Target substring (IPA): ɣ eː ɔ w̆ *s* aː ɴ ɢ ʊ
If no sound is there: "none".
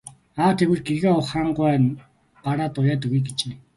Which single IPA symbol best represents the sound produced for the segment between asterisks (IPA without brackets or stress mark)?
χ